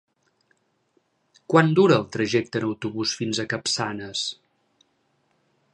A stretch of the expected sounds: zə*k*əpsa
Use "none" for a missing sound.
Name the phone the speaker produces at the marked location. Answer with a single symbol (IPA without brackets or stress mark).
k